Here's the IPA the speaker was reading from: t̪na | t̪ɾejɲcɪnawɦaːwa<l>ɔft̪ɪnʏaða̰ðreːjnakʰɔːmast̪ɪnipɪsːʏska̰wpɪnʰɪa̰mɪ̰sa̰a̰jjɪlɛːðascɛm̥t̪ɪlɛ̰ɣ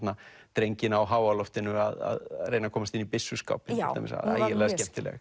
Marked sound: correct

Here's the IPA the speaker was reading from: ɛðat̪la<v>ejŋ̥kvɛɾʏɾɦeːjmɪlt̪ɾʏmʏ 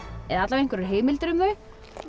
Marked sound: correct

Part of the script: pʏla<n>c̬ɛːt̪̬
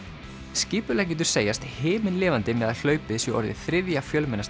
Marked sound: incorrect: none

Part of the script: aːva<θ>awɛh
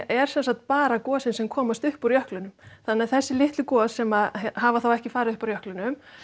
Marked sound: correct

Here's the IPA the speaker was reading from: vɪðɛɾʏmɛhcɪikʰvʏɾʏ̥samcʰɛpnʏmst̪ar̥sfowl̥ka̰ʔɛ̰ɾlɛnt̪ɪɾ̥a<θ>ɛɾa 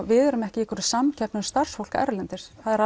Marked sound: incorrect: ð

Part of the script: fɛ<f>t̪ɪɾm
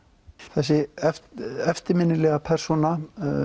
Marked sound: correct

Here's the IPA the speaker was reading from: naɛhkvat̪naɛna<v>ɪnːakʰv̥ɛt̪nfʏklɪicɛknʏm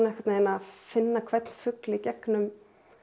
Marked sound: incorrect: f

